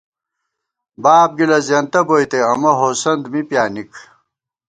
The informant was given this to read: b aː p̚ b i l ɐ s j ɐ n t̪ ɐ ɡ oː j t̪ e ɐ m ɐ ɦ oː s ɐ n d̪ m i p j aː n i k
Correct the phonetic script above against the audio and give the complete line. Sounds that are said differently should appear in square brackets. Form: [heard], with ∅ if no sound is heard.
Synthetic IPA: b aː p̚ [ɡ] i l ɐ [z] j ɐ n t̪ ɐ [b] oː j t̪ e ɐ m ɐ ɦ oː s ɐ n d̪ m i p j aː n i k